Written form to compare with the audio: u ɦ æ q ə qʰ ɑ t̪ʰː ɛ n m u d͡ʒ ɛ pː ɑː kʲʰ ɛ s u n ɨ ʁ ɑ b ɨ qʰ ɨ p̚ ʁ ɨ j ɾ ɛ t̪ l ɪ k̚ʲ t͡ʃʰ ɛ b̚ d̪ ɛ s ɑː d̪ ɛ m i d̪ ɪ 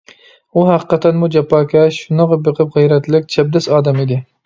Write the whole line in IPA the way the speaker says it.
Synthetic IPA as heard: u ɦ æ q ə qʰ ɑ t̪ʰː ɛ n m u d͡ʒ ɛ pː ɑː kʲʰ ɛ ʃ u n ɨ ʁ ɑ b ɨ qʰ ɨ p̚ ʁ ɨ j ɾ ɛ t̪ l ɪ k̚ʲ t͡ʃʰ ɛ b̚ d̪ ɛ s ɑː d̪ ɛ m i d̪ ɪ